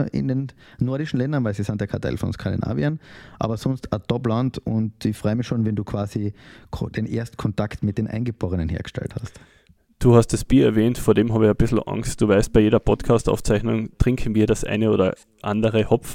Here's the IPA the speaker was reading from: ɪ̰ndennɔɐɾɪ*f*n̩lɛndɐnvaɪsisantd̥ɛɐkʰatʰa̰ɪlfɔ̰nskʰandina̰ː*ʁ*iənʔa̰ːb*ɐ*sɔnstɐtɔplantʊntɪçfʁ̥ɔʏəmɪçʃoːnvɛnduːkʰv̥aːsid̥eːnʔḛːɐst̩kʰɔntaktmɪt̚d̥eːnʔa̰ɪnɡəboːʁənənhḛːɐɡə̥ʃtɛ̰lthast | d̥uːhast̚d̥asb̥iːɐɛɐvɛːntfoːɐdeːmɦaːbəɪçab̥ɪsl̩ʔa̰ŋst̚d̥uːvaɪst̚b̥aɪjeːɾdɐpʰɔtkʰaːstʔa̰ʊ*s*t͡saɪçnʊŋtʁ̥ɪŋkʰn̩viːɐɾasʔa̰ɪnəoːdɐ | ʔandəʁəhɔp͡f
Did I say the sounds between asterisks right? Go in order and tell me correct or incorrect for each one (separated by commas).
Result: incorrect, incorrect, correct, incorrect